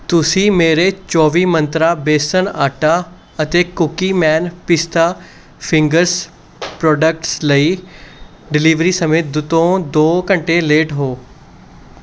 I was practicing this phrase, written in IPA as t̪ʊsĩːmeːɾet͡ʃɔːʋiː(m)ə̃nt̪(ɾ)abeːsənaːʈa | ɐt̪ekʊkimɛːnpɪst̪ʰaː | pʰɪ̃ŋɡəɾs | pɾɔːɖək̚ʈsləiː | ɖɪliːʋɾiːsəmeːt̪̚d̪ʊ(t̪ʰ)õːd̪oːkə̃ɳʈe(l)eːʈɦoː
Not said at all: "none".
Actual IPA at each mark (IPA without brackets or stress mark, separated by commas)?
m, ɾ, t̪, l